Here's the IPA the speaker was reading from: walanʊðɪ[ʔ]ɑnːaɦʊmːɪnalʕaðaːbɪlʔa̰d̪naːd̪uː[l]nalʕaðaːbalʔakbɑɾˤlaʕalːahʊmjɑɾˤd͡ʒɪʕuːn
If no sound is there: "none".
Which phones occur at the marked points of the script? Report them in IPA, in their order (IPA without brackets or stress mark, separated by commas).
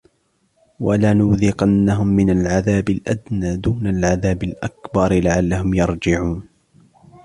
q, none